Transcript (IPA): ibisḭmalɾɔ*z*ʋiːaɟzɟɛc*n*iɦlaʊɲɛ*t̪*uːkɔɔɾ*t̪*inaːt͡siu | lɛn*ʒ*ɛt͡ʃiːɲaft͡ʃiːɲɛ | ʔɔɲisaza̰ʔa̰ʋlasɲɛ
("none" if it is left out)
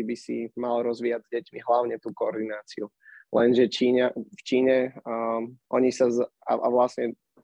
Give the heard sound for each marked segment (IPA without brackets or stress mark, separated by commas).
z, m, t̪, d̪, ʒ